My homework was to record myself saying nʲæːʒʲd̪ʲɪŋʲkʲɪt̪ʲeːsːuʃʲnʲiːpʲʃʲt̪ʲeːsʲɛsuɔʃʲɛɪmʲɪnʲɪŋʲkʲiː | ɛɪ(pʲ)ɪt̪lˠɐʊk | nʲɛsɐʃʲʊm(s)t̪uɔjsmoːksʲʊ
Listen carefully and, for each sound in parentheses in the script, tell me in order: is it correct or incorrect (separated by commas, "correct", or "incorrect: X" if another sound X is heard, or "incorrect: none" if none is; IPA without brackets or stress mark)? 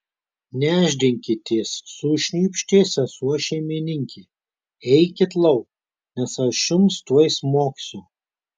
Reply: incorrect: kʲ, correct